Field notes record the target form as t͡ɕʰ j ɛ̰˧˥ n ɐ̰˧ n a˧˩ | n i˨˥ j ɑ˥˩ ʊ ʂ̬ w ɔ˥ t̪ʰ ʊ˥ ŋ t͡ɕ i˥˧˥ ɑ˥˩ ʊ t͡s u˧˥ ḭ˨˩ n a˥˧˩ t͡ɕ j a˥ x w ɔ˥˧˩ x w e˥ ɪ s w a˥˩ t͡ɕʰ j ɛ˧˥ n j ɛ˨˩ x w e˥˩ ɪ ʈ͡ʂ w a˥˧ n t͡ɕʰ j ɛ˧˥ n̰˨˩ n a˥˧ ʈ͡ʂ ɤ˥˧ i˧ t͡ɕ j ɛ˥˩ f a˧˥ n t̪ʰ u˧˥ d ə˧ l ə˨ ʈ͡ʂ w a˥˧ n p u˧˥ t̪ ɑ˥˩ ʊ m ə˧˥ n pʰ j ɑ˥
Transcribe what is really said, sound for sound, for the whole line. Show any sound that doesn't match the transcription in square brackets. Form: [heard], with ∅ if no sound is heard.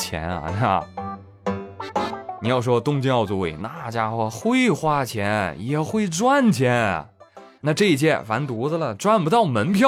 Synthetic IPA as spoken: t͡ɕʰ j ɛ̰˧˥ n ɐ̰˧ n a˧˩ | n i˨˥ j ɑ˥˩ ʊ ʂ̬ w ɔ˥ [t̪] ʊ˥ ŋ t͡ɕ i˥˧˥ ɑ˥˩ ʊ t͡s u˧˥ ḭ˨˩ n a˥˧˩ t͡ɕ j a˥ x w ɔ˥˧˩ x w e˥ ɪ [x] w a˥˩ t͡ɕʰ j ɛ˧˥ n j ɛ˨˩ x w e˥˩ ɪ ʈ͡ʂ w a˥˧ n t͡ɕʰ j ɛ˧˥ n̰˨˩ n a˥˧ ʈ͡ʂ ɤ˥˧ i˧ t͡ɕ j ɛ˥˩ f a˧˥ n [t̪] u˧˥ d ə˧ l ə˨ ʈ͡ʂ w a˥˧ n p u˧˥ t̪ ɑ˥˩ ʊ m ə˧˥ n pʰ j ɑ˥